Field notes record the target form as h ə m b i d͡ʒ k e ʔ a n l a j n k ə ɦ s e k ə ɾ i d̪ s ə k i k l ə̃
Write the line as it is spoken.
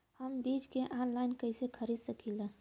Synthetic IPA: h ə m b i d͡ʒ k e ʔ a n l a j n k ə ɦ s e kʰ ə ɾ i d̪ s ə k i l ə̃

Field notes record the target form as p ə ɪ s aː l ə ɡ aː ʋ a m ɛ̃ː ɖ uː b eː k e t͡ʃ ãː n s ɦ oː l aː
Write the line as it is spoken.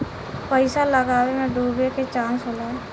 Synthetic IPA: p ə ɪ s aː l ə ɡ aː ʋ e m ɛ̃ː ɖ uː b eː k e t͡ʃ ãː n s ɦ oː l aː

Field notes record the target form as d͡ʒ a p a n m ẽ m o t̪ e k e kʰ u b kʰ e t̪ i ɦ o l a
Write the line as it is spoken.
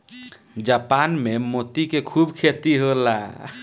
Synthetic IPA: d͡ʒ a p a n m e m o t̪ i k e kʰ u b kʰ e t̪ i ɦ o l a

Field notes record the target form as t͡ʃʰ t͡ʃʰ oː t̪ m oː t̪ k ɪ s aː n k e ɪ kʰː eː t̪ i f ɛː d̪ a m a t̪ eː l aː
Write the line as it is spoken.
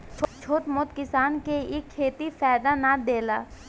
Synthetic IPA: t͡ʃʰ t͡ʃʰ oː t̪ m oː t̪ k ɪ s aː n k e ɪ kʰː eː t̪ i f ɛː d̪ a n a d̪ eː l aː

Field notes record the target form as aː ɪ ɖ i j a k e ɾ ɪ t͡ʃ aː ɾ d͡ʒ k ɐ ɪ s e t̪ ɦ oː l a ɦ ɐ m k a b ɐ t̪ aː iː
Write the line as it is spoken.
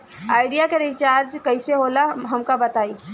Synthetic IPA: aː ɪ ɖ i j a k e ɾ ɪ t͡ʃ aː ɾ d͡ʒ k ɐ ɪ s e ɦ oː l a ɦ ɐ m k a b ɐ t̪ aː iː

